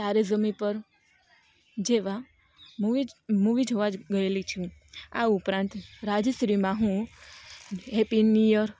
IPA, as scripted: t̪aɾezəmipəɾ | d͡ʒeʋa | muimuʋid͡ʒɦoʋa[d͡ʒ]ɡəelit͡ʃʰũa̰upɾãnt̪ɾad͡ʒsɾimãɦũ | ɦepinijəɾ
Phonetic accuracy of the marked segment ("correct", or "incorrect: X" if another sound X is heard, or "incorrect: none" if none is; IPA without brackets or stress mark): correct